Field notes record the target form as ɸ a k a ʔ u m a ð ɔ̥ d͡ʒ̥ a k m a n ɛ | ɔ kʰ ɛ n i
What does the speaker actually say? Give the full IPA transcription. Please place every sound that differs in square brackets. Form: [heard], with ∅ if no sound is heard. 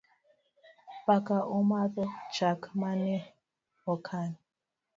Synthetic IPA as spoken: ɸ a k a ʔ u m a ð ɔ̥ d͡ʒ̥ a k m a n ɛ | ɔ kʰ [a] n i